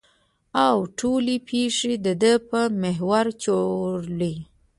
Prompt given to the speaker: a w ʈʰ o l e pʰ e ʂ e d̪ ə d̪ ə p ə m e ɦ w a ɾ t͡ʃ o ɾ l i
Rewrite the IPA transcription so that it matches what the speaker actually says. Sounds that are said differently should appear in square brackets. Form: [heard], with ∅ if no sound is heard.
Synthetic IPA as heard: a w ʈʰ o l e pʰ e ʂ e d̪ ə d̪ ə p ə m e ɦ w a ɾ t͡ʃ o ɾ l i